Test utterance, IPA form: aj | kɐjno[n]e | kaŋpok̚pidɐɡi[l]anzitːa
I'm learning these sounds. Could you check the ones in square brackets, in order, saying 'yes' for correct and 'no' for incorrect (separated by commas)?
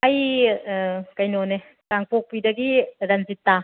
yes, no